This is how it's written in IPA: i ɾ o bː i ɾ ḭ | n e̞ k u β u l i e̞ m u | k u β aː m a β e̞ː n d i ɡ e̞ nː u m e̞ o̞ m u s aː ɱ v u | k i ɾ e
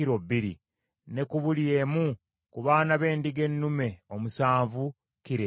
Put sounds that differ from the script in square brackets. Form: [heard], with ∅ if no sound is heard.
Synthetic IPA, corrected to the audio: i ɾ o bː i ɾ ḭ | n e̞ k u β u l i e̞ m u | k u β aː [n] a β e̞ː n d i ɡ e̞ nː u m e̞ o̞ m u s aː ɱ v u | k i ɾ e